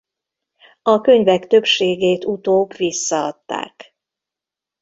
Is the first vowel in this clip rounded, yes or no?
yes